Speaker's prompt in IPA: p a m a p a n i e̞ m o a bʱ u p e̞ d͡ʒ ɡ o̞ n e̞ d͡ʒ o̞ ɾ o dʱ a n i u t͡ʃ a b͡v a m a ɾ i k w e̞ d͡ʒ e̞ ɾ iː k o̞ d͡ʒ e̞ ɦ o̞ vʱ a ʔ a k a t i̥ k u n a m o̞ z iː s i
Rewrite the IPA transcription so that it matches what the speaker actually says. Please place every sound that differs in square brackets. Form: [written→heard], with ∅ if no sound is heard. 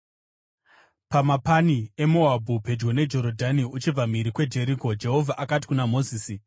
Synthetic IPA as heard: p a m a p a n i e̞ m o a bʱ u p e̞ d͡ʒ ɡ o̞ n e̞ d͡ʒ o̞ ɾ o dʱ a n i u t͡ʃ [a→i] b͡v a m [a→i] ɾ i k w e̞ d͡ʒ e̞ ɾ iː k o̞ d͡ʒ e̞ ɦ o̞ vʱ a ʔ a k a t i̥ k u n a m o̞ z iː s i